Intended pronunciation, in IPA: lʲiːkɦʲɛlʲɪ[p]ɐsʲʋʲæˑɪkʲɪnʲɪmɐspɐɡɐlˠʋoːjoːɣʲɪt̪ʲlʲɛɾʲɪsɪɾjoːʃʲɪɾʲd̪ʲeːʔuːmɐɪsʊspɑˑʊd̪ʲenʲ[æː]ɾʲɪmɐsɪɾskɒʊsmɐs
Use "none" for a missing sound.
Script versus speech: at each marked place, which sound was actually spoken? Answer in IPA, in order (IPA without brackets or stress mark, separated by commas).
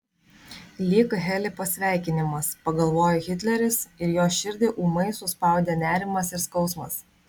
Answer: p, æː